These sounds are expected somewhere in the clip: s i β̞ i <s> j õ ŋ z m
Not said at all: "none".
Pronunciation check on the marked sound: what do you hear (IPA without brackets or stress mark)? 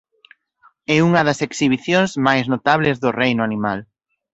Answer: θ